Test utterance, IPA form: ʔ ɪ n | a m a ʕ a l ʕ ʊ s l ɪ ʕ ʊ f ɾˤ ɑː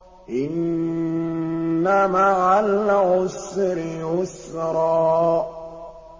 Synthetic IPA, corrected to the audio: ʔ ɪ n | a m a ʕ a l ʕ ʊ s ɾ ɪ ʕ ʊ s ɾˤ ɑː